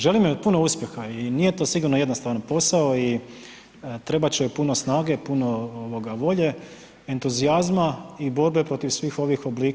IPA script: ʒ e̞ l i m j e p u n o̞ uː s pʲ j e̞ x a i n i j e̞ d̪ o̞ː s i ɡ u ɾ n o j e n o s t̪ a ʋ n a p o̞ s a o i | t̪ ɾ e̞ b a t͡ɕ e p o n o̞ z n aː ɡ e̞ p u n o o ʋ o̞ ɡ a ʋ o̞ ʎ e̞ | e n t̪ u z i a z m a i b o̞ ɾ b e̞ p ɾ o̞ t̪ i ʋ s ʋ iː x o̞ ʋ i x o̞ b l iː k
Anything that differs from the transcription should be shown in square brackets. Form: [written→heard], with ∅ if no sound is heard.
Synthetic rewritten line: ʒ e̞ l i m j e p u n o̞ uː s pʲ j e̞ x a i n i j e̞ [d̪→t̪] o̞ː s i ɡ u ɾ n o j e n o s t̪ a ʋ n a p o̞ s a o i | t̪ ɾ e̞ b a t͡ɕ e p [o→u] n o̞ [z→s] n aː ɡ e̞ p u n o o ʋ o̞ ɡ a ʋ o̞ ʎ e̞ | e n t̪ u z i a z m a i b o̞ ɾ b e̞ p ɾ o̞ t̪ i ʋ s ʋ iː x o̞ ʋ i x o̞ b l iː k